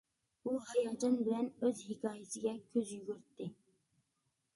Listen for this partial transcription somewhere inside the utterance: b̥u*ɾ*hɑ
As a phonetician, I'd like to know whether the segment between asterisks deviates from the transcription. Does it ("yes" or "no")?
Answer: yes